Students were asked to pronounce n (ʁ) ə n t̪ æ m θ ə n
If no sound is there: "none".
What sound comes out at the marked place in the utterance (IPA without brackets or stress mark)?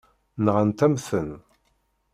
ʁ